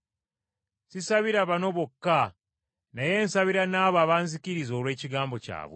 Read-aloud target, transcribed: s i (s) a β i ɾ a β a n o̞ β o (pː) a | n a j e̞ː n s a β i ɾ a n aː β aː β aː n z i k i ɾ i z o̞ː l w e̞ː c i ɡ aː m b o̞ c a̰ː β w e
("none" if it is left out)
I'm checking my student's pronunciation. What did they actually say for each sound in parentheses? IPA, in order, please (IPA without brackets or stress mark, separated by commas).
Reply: s, kː